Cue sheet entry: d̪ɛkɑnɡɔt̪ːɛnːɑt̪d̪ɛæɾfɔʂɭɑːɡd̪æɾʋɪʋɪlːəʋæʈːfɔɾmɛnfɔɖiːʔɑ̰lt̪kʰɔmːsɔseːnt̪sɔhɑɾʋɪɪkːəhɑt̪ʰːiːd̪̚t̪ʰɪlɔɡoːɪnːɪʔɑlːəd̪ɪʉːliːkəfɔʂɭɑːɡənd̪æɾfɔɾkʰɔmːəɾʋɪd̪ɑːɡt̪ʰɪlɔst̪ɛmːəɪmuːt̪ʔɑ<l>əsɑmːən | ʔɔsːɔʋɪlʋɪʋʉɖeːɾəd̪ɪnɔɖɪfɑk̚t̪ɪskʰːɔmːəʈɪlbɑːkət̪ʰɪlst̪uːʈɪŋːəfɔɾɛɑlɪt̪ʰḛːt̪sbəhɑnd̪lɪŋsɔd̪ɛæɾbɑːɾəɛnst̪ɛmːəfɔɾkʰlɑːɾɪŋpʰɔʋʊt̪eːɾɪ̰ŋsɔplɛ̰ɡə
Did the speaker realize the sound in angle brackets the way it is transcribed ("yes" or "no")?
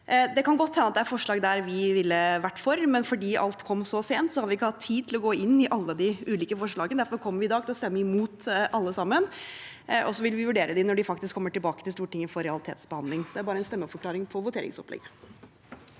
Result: no